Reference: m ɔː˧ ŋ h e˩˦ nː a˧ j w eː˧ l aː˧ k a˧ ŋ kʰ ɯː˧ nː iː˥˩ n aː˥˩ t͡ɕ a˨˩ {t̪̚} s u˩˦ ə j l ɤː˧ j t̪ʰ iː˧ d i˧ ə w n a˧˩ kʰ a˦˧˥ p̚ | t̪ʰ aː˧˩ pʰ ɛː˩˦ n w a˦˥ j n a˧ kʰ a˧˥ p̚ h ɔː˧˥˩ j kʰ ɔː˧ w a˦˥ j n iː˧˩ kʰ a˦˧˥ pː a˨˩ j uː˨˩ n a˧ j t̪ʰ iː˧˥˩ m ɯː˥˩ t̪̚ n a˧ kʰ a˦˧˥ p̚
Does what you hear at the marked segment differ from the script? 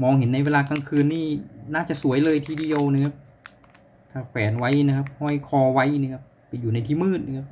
yes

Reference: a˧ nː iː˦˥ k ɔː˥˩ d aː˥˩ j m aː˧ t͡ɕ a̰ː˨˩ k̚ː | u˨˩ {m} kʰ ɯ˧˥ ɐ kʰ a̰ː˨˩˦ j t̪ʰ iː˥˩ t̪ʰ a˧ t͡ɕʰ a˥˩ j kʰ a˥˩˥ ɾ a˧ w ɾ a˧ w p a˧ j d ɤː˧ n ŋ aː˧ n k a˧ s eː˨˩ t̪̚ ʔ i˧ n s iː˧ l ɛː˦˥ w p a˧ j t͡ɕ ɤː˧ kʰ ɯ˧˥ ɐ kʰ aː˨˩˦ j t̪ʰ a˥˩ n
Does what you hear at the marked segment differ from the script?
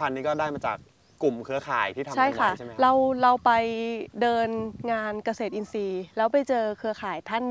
no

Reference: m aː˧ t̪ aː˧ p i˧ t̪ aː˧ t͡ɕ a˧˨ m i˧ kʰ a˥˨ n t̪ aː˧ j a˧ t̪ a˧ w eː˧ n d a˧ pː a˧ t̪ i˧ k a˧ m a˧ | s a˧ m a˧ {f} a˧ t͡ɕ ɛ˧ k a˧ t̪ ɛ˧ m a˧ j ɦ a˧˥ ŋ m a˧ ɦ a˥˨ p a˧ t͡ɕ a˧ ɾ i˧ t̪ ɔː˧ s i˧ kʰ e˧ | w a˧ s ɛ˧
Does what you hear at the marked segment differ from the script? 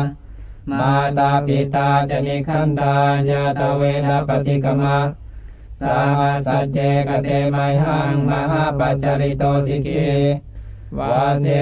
yes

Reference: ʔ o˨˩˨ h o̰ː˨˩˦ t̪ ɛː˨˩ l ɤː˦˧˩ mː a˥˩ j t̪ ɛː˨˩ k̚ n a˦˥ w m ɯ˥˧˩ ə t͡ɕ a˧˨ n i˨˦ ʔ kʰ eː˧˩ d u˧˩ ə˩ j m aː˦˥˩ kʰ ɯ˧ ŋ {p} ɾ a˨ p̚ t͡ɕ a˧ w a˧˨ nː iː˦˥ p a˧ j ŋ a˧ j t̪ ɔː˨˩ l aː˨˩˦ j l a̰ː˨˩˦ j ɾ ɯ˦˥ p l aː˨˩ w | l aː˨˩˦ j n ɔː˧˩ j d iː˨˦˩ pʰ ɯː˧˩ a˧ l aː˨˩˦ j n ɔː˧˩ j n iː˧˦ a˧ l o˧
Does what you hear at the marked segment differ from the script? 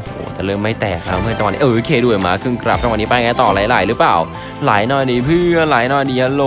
yes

